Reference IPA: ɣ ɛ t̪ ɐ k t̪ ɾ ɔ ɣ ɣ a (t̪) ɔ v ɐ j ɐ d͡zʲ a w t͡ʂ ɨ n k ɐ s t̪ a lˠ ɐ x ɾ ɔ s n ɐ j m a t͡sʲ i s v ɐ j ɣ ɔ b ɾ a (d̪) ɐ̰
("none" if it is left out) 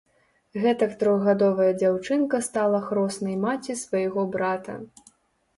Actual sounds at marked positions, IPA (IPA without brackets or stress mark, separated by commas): d̪, t̪